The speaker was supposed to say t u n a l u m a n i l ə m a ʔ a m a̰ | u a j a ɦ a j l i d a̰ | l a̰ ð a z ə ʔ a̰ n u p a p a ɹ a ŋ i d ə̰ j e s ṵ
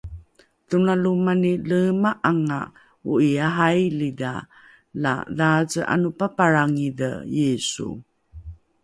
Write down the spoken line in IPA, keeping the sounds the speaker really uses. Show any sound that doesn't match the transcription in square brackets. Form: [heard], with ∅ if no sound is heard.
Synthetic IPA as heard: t u n a l u m a n i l ə m a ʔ a [ŋ] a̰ | u [i] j a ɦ a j l i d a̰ | l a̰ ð a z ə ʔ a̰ n u p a p a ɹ a ŋ i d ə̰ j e s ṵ